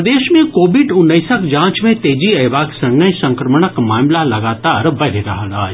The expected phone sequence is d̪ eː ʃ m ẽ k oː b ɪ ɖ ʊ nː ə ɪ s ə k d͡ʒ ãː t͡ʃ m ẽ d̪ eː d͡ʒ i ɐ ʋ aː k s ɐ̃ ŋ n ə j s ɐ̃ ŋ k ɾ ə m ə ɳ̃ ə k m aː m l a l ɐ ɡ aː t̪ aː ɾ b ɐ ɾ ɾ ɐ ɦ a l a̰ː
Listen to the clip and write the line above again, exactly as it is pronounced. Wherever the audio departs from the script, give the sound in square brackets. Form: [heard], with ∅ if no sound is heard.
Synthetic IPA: d̪ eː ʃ m ẽ k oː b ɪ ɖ ʊ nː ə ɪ s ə k d͡ʒ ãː t͡ʃ m ẽ [t̪] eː d͡ʒ i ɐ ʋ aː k s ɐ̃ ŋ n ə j s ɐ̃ ŋ k ɾ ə m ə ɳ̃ ə k m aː m l a l ɐ ɡ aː t̪ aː ɾ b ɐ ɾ ɾ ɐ ɦ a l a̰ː

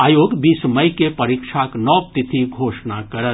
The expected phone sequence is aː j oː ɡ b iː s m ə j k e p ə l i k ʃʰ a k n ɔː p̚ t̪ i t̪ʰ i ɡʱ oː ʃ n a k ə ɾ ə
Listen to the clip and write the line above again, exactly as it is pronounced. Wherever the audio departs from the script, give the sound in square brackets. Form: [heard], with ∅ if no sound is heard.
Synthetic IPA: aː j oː ɡ b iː s m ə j k e p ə [ɾ] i k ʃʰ a k n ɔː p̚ t̪ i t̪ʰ i ɡʱ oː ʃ n a k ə ɾ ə

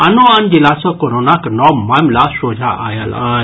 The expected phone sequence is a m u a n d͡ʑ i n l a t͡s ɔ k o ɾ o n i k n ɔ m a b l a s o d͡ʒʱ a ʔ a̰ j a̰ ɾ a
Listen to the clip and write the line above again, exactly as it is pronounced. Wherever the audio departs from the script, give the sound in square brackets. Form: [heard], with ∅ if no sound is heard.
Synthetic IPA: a [n] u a n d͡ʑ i [∅] l a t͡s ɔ k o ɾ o n [a] k n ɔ m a [m] l a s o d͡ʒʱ a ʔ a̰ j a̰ [l] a

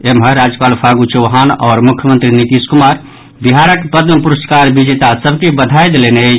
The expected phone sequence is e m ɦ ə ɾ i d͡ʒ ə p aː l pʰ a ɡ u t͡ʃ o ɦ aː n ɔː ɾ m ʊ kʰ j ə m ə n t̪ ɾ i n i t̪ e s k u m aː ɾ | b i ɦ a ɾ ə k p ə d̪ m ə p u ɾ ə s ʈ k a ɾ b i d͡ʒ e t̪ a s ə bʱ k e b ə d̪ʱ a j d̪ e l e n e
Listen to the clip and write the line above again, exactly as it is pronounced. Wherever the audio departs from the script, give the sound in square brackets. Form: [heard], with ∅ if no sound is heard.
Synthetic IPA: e m ɦ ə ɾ [a] d͡ʒ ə p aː l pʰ a ɡ u t͡ʃ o ɦ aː n ɔː ɾ m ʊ kʰ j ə m ə n t̪ ɾ i n i t̪ [i] s k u m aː ɾ | b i ɦ a ɾ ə k p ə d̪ m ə p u ɾ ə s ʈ k a ɾ b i d͡ʒ e t̪ a s ə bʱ k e b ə d̪ʱ a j d̪ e l e n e

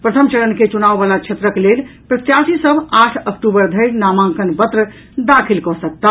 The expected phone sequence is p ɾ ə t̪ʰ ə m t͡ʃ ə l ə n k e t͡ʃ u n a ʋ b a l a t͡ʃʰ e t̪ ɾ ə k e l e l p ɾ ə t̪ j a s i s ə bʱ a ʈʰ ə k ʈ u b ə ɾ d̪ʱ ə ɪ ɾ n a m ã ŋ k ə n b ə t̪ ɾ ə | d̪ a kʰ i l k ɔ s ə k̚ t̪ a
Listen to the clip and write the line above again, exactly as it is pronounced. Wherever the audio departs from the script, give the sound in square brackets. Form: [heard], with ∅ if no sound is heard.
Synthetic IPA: p ɾ ə t̪ʰ ə m t͡ʃ ə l ə n k e t͡ʃ u n a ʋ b a l a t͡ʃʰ e t̪ ɾ ə k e l e l p ɾ ə t̪ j a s i s ə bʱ a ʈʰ ə k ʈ u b ə ɾ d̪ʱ ə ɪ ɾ n a m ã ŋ k ə n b ə t̪ ɾ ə | d̪ a kʰ i l k ɔ s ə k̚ t̪ a

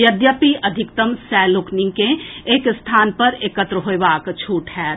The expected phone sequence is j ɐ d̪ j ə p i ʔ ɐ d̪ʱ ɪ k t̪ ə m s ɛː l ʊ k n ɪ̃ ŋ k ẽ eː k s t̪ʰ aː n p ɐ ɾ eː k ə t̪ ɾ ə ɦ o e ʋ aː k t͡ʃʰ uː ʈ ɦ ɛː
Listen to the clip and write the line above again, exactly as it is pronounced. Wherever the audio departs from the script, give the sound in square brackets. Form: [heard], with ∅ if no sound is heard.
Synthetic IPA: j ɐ d̪ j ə p i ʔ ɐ d̪ʱ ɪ k t̪ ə m s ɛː l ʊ k n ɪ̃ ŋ k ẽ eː k s t̪ʰ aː n p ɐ ɾ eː k ə t̪ ɾ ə ɦ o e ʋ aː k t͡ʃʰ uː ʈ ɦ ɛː

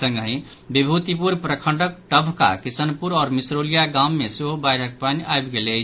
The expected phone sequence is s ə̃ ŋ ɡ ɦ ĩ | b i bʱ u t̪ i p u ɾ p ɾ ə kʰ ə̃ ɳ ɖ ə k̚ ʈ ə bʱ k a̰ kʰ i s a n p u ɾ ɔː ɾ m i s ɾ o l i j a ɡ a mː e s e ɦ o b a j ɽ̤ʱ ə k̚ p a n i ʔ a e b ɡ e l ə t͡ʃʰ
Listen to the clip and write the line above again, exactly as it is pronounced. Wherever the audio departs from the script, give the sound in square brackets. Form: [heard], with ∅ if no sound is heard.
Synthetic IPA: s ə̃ ŋ ɡ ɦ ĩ | b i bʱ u t̪ i p u ɾ p ɾ ə kʰ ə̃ ɳ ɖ ə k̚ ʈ ə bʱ k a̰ [k] i s [ə] n p u ɾ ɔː ɾ m i s ɾ o l i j a ɡ a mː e s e ɦ o b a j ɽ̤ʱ ə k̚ p a n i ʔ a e b ɡ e l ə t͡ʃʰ

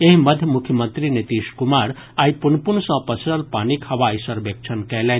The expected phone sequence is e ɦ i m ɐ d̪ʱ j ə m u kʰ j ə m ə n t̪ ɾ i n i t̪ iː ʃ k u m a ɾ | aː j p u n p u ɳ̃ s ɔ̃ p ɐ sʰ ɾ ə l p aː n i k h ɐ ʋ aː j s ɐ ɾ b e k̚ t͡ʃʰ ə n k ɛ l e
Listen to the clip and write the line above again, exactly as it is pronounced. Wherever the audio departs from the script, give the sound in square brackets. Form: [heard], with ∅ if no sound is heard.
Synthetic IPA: e ɦ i m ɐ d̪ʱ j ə m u kʰ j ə m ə n t̪ ɾ i n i t̪ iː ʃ k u m a ɾ | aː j p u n p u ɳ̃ s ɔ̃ p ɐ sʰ ɾ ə l p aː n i k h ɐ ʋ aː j s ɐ ɾ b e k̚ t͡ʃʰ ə n k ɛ l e

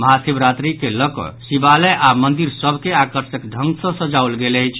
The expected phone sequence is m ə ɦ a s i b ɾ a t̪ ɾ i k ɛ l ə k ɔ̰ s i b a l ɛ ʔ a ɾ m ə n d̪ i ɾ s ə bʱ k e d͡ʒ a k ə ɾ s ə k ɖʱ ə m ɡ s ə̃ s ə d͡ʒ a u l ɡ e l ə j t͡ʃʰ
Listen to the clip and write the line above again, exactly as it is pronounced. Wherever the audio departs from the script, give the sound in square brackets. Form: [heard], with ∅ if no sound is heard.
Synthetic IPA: m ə ɦ a s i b ɾ a t̪ ɾ i k [e] l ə k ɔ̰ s i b a l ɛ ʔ a [∅] m ə n d̪ i ɾ s ə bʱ k e [∅] a k ə ɾ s ə k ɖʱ ə [ŋ] ɡ s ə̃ s ə d͡ʒ a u l ɡ e l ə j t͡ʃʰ

